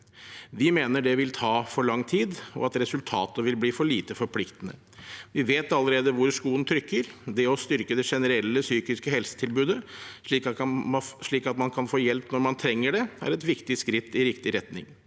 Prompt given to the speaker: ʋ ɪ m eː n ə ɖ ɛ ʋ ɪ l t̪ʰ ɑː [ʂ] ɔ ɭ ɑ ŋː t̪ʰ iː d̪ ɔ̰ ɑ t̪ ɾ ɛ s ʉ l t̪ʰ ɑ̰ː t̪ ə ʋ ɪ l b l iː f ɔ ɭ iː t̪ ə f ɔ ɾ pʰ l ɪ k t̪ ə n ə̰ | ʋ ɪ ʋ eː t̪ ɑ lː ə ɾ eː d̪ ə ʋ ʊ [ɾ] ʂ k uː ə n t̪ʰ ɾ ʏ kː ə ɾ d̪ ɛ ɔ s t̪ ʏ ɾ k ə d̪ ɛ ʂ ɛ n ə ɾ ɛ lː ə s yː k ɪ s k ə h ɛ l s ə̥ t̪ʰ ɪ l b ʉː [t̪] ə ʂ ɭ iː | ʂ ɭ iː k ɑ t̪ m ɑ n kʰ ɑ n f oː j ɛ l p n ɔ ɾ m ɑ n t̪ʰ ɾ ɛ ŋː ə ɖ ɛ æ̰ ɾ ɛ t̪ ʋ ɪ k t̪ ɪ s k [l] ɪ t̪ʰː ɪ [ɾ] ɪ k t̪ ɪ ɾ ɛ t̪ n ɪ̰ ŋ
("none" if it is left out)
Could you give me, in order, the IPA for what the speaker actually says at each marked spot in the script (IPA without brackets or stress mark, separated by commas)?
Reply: f, ɾ, d̪, ɾ, ɾ